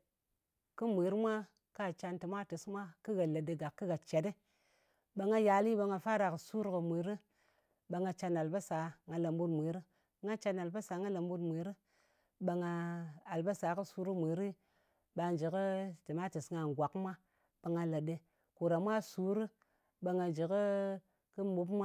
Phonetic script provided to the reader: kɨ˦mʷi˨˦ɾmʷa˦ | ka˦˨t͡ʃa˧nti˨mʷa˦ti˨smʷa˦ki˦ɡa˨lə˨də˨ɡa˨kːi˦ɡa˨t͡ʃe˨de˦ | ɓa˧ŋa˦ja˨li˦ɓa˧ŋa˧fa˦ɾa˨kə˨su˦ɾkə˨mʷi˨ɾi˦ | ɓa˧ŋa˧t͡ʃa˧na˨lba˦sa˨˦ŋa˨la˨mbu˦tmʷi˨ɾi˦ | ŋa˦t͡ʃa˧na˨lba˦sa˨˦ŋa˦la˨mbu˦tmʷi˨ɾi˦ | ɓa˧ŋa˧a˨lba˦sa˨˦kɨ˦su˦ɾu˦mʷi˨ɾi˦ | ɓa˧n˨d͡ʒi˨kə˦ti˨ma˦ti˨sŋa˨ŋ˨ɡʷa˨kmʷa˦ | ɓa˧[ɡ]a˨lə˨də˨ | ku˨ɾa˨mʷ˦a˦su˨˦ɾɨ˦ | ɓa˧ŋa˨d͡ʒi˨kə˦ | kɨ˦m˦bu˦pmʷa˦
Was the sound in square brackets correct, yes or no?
no